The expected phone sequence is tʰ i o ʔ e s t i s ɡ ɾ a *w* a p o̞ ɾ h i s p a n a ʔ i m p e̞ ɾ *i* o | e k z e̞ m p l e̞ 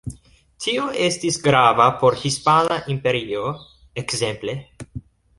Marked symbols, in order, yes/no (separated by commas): no, yes